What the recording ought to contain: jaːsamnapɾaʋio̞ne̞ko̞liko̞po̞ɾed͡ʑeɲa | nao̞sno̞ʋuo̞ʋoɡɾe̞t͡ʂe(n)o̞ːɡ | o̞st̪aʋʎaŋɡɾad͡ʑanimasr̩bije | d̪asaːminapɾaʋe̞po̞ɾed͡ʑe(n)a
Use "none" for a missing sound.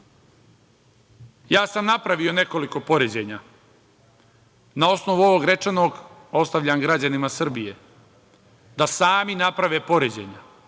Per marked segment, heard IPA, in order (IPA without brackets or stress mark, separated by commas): n, ɲ